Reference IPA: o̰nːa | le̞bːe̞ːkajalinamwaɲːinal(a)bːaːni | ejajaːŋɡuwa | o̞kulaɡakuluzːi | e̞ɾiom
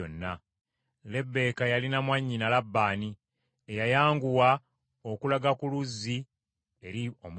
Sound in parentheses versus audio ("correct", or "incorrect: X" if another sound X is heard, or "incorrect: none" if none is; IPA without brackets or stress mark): correct